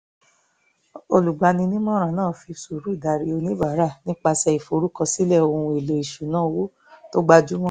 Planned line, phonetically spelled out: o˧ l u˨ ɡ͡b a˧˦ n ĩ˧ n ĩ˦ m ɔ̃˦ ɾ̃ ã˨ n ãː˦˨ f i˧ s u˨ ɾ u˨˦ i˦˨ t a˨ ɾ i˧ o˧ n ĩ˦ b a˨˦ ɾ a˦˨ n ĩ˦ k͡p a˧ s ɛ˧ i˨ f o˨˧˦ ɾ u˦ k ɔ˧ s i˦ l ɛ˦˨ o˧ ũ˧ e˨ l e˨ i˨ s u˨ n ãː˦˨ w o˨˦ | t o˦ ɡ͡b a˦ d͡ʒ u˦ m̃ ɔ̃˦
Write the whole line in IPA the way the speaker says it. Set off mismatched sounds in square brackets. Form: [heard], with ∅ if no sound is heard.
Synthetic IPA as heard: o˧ l u˨ ɡ͡b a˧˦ n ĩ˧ n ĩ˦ m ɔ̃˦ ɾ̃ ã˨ n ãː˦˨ f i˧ s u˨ ɾ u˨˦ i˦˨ [d] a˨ ɾ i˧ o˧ n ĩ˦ b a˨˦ ɾ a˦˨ n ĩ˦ k͡p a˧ s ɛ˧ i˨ f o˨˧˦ ɾ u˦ k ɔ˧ s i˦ l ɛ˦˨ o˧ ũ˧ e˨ l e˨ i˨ [ʃ] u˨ n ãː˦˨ w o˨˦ | t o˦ ɡ͡b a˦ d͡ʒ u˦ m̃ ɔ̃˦